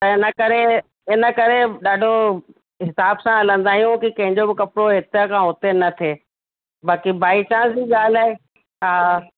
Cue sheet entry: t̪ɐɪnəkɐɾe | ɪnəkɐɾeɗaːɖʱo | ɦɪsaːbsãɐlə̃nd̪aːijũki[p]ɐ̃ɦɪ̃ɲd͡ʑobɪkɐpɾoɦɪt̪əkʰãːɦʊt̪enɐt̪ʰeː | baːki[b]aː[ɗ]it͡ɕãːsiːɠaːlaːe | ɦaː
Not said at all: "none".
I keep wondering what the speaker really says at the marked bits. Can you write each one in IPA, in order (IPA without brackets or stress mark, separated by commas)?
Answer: k, b, none